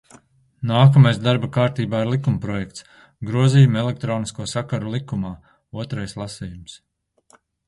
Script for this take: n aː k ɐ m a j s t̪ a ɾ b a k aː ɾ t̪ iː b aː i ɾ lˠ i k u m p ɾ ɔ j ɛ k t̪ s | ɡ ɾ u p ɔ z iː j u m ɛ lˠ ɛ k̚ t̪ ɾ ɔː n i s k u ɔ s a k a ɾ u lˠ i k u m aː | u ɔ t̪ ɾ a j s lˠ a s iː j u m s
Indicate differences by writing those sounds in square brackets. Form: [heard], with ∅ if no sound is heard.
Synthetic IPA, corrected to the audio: n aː k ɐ m a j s [d̪] a ɾ b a k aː ɾ t̪ iː b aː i ɾ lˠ i k u m p ɾ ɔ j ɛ k t̪ s | ɡ ɾ u [∅] ɔ z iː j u m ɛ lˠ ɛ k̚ t̪ ɾ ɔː n i s k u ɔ s a k a ɾ u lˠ i k u m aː | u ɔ t̪ ɾ a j s lˠ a s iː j u m s

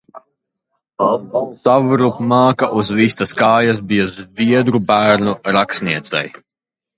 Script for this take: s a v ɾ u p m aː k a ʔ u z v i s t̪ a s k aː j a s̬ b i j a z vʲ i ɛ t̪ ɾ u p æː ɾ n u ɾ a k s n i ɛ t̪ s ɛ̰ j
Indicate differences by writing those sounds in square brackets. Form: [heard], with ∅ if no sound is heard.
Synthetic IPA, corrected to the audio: s a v ɾ u p m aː k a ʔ u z v i s t̪ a s k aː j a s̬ b i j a z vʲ i ɛ [d̪] ɾ u [b] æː ɾ n u ɾ a k s n i ɛ t̪ s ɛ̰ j

